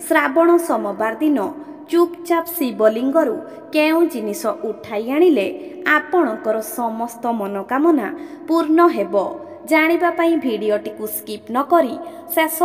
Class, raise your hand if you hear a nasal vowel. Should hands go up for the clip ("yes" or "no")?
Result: yes